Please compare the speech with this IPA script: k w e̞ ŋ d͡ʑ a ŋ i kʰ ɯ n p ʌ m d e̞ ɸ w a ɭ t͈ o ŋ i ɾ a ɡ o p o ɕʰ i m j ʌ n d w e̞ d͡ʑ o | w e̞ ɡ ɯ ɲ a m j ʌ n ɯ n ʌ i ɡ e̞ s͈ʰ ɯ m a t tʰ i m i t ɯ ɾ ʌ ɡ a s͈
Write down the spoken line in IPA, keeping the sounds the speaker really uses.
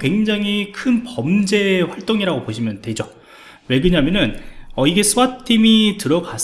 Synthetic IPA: k w e̞ ŋ d͡ʑ a ŋ i kʰ ɯ n p ʌ m d͡ʑ e̞ ɸ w a ɭ t͈ o ŋ i ɾ a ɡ o p o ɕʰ i m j ʌ n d w e̞ d͡ʑ o | w e̞ ɡ ɯ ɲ a m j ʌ n ɯ n ʌ i ɡ e̞ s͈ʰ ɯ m a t tʰ i m i t ɯ ɾ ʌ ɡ a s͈